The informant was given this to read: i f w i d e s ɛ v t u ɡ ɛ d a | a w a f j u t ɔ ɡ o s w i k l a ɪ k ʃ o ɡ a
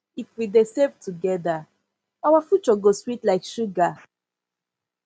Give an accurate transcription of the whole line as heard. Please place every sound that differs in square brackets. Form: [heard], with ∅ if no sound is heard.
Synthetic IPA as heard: i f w i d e s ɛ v t u ɡ ɛ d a | a w a f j u [t͡ʃ] ɔ ɡ o s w i [t] l a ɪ k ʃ [u] ɡ a